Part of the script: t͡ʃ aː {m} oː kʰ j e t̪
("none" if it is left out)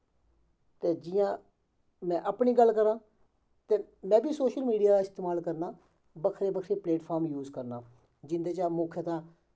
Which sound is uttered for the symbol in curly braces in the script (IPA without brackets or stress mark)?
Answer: m